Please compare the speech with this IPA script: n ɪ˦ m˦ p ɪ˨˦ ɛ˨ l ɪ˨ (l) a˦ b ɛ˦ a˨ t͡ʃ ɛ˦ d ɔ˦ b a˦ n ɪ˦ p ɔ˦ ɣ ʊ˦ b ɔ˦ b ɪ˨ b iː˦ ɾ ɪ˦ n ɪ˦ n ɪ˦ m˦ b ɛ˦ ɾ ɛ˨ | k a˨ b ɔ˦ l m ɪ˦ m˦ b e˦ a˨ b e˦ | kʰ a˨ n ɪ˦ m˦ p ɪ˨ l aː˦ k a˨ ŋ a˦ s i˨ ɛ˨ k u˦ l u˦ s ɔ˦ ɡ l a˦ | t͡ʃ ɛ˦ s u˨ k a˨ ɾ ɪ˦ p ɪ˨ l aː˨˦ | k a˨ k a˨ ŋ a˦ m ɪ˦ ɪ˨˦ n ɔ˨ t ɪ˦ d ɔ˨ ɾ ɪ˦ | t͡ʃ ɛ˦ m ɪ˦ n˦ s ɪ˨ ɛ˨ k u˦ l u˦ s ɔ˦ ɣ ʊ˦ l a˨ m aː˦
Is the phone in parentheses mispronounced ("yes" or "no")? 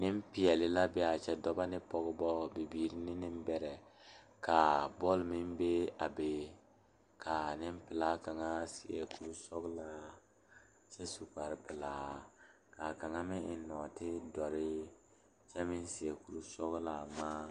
no